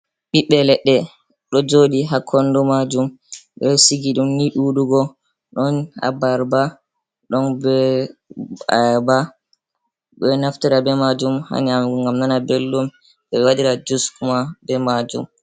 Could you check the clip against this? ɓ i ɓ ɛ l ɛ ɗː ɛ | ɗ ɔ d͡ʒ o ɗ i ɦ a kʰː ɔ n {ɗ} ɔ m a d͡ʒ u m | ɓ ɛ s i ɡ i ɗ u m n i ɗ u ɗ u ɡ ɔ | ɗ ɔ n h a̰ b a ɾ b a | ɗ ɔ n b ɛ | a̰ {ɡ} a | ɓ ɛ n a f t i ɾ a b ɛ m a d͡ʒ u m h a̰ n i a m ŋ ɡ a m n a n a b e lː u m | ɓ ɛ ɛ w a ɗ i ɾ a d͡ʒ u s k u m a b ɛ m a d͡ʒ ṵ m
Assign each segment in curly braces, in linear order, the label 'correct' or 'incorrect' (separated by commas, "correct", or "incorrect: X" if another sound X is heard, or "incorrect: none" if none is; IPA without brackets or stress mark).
incorrect: d, incorrect: b